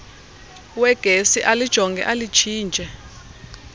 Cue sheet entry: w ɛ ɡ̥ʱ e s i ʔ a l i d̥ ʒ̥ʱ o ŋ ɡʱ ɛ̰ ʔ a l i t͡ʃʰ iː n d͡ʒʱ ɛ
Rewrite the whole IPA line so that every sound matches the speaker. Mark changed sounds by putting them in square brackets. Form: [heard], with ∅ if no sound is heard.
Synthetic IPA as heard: w ɛ ɡ̥ʱ e s i ʔ a l i d̥ ʒ̥ʱ [ɔ] ŋ ɡʱ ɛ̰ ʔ a l i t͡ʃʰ iː n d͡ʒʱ ɛ